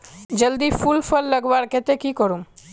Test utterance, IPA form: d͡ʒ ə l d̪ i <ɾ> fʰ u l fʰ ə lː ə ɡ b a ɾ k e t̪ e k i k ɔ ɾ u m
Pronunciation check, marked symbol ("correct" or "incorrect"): incorrect